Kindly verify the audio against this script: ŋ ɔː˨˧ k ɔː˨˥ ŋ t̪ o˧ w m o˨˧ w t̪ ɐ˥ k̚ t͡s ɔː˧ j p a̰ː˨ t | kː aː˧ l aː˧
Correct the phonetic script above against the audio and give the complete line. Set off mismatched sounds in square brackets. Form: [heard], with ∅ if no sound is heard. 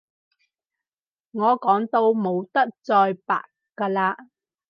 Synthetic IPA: ŋ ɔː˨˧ k ɔː˨˥ ŋ t̪ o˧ w m o˨˧ w t̪ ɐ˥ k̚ t͡s ɔː˧ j p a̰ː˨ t | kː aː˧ l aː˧